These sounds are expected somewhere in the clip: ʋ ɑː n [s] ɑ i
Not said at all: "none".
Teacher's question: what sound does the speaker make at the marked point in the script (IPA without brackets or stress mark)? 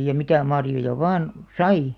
s